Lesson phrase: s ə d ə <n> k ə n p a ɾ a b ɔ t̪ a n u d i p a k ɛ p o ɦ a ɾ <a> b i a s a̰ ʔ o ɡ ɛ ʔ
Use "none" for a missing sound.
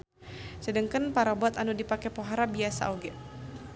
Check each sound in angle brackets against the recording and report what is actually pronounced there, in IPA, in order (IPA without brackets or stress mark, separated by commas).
ŋ, a